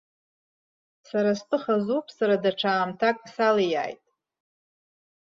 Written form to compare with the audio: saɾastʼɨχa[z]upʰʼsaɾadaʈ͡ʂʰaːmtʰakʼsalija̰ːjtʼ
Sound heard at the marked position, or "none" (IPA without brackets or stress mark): z